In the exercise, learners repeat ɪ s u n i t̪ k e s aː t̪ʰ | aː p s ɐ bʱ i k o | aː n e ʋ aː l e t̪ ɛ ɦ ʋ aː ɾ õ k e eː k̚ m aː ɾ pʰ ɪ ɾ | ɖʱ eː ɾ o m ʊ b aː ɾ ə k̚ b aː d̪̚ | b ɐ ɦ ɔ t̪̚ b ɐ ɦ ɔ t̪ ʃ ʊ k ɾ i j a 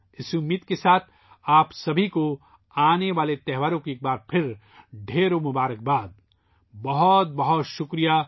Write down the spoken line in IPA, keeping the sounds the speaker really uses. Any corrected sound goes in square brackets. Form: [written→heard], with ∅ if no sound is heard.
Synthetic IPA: ɪ s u [n→m] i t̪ k e s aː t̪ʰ | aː p s ɐ bʱ i k o | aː n e ʋ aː l e t̪ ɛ ɦ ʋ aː ɾ õ k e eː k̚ [m→b] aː ɾ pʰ ɪ ɾ | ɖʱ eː ɾ o m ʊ b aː ɾ ə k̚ b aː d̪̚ | b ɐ ɦ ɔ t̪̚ b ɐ ɦ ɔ t̪ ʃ ʊ k ɾ i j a